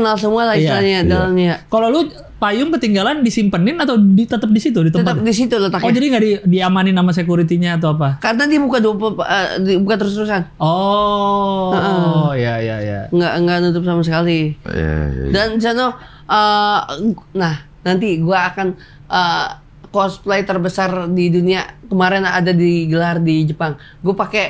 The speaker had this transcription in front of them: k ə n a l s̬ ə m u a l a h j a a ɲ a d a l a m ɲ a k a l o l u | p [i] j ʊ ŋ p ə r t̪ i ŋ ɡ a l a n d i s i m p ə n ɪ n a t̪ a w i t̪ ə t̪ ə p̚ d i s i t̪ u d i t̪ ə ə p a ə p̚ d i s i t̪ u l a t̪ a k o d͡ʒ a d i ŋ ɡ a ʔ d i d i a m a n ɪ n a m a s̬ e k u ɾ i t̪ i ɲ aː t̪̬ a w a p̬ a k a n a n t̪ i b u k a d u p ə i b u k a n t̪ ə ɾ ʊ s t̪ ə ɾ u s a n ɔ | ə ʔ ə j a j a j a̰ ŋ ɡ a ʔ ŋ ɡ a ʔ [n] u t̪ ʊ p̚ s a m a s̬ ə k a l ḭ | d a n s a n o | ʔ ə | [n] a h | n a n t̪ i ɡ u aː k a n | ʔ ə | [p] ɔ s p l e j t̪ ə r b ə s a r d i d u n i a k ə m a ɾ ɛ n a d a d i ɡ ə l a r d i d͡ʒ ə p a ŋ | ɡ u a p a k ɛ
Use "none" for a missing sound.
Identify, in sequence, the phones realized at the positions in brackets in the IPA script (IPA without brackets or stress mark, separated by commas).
a, n, n, k